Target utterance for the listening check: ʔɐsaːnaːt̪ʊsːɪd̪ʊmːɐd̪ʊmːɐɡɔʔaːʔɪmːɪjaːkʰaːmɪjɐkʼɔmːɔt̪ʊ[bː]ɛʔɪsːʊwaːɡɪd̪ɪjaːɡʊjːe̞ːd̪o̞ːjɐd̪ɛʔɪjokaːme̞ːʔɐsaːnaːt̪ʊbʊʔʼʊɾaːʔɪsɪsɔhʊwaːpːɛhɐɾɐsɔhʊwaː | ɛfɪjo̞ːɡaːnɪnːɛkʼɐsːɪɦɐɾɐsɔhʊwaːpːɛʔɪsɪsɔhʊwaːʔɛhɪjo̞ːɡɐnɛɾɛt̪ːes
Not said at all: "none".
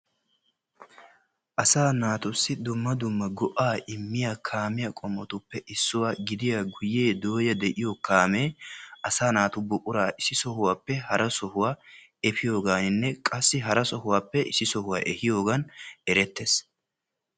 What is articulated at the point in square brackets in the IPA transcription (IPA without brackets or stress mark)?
pː